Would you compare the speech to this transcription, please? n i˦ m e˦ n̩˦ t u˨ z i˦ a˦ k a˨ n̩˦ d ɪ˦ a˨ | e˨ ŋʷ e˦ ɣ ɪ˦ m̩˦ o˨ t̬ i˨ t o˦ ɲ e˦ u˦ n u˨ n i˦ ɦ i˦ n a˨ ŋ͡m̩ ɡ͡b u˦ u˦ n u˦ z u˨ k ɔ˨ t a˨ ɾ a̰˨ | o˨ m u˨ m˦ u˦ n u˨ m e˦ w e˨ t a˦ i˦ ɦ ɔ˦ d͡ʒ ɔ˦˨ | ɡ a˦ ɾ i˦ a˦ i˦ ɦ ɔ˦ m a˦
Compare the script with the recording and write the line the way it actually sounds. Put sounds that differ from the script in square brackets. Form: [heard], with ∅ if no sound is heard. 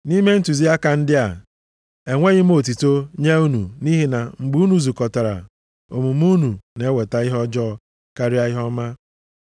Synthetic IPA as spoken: n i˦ m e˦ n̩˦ t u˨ z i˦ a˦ k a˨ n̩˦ d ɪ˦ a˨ | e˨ ŋʷ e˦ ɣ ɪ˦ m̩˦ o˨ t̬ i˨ t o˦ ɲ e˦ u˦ n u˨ n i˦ ɦ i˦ n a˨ ŋ͡m̩ ɡ͡b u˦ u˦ n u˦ z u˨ k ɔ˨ t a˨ ɾ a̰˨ | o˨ m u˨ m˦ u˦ n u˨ [n] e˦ w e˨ t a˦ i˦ ɦ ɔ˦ d͡ʒ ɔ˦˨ | [k] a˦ ɾ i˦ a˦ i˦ ɦ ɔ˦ m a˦